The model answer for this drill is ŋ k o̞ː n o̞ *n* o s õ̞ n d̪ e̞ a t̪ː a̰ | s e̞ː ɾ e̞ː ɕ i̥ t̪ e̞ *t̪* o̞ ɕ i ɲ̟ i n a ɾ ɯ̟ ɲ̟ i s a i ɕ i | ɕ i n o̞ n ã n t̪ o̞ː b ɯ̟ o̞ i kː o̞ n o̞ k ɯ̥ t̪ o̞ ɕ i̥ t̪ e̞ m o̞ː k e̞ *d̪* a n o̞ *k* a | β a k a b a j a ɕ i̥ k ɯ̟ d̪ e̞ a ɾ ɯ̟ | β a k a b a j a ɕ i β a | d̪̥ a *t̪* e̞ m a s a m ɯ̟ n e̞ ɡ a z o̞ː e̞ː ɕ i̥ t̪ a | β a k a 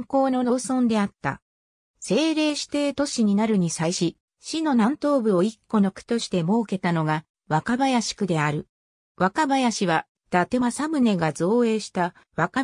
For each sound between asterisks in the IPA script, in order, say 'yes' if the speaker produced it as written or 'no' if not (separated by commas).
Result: yes, yes, no, no, yes